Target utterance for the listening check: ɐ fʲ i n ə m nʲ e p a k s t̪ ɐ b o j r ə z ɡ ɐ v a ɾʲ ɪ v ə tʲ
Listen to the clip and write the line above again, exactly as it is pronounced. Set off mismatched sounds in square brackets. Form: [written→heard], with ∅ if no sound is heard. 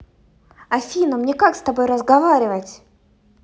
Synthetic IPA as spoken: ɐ fʲ i n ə m nʲ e [p→k] a k s t̪ ɐ b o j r ə z ɡ ɐ v a ɾʲ ɪ v ə tʲ